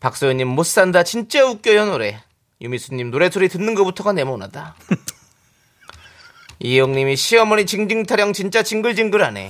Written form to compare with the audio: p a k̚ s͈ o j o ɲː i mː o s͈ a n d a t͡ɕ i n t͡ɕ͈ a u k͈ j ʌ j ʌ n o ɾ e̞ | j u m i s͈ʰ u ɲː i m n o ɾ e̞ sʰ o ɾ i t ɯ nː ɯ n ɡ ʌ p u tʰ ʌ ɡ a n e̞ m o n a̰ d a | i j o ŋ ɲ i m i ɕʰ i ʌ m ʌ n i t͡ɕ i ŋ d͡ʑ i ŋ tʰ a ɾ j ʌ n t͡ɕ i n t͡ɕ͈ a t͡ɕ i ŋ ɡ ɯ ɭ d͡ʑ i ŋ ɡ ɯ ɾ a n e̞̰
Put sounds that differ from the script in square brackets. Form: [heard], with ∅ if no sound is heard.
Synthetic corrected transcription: p a k̚ s͈ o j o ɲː i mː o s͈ a n d a t͡ɕ i n t͡ɕ͈ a u k͈ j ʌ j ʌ n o ɾ e̞ | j u m i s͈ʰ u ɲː i m n o ɾ e̞ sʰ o ɾ i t ɯ nː ɯ n ɡ ʌ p u tʰ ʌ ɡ a n e̞ m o n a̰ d a | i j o ŋ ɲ i m i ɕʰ i ʌ m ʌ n i t͡ɕ i ŋ d͡ʑ i ŋ tʰ a ɾ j ʌ [ŋ] t͡ɕ i n t͡ɕ͈ a t͡ɕ i ŋ ɡ ɯ ɭ d͡ʑ i ŋ ɡ ɯ ɾ a n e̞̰